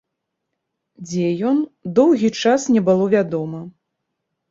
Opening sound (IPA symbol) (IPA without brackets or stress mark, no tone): d͡zʲ